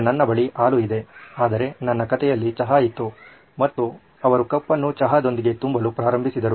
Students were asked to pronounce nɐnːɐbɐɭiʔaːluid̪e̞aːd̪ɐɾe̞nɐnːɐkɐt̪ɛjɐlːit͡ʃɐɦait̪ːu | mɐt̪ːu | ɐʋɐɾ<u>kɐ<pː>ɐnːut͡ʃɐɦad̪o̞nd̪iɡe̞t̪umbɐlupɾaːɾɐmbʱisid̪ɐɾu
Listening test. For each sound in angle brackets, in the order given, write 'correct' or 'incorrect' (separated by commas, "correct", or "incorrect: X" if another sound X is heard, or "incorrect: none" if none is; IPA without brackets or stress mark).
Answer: correct, correct